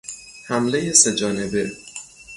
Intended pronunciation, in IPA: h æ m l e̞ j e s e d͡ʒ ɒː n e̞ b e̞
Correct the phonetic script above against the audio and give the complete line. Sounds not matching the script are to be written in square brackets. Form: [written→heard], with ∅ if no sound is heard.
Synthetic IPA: h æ m l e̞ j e s e d͡ʒ ɒː n e̞ b e̞